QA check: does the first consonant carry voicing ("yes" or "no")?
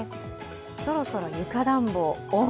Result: no